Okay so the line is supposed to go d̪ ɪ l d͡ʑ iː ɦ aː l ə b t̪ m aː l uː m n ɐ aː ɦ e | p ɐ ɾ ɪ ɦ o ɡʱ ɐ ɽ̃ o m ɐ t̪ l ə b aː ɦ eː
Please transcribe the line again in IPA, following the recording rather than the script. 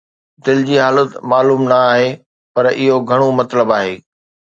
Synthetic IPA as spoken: d̪ ɪ l d͡ʑ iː ɦ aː l ə t̪ m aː l uː m n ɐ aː ɦ e | p ɐ ɾ ɪ ɦ o ɡʱ ɐ ɽ̃ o m ɐ t̪ l ə b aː ɦ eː